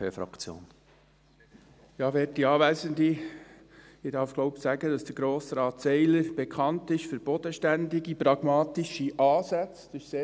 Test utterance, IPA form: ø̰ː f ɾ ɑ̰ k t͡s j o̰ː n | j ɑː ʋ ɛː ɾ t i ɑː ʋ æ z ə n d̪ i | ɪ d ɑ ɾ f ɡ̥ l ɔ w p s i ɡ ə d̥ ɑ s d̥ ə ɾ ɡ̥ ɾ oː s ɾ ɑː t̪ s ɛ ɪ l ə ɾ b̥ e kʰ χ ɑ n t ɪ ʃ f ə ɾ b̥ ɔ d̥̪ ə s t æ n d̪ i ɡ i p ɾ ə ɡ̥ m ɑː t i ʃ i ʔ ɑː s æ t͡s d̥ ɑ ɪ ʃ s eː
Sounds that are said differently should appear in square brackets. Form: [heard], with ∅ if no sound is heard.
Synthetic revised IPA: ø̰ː f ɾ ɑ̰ k t͡s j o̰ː n | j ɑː ʋ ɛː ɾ t i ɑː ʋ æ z ə n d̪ i | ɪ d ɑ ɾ f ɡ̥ l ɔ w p s [æ] ɡ ə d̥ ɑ s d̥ ə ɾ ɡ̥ ɾ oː s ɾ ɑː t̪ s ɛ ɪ l ə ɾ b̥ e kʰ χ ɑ n t ɪ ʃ f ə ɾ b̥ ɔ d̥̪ ə [ʃ] t æ n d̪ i ɡ i p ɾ [ɑ] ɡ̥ m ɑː t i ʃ i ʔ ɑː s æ t͡s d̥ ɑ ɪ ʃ s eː